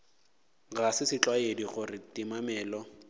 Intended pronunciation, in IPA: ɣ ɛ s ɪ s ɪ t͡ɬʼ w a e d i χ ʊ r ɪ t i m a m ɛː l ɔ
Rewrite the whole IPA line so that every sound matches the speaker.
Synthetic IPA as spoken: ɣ a s ɪ s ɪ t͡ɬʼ w a e d i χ ʊ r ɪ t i m a m ɛː l ɔ